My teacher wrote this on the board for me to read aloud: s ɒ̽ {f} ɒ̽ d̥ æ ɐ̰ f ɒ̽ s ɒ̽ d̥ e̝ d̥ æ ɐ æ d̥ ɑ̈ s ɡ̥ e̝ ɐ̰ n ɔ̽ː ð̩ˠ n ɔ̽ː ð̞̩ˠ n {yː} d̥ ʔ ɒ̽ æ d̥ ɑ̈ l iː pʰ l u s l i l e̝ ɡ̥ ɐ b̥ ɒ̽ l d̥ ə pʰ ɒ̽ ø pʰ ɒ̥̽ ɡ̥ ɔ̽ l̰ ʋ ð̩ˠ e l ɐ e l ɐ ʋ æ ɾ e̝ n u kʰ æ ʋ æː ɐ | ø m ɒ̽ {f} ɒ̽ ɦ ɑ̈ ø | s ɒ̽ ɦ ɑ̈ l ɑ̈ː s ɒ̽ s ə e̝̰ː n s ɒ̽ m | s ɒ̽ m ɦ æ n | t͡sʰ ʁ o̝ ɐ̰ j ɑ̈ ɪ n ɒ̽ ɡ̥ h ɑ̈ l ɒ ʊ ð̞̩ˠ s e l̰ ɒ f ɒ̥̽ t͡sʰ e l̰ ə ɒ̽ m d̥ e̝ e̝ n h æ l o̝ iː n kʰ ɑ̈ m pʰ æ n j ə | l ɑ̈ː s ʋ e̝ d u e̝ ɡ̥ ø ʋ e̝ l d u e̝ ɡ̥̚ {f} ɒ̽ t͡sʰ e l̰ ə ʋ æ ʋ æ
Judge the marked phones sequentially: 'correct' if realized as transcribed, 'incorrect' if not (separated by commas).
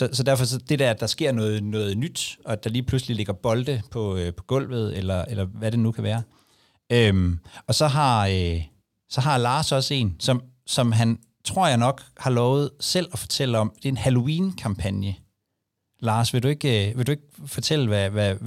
incorrect, incorrect, incorrect, correct